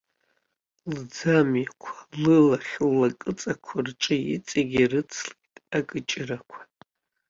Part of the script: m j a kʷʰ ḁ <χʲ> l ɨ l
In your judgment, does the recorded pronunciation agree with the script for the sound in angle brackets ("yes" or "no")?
no